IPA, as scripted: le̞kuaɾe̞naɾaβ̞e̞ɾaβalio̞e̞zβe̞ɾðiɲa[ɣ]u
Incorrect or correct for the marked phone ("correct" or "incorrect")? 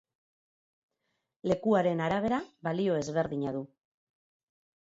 incorrect